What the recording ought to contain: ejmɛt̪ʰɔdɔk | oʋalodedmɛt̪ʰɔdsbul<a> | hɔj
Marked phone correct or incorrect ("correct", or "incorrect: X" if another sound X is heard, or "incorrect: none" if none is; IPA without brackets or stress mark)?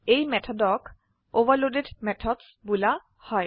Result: correct